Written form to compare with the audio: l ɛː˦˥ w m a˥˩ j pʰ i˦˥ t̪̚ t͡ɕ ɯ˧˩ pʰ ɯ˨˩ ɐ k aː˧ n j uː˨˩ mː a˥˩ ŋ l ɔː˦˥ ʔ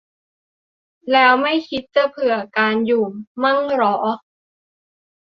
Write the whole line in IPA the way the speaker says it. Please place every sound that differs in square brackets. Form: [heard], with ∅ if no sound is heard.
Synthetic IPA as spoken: l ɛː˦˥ w m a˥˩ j [kʰ] i˦˥ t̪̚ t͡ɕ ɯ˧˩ pʰ ɯ˨˩ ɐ k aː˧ n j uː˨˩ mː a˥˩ ŋ [ɾ] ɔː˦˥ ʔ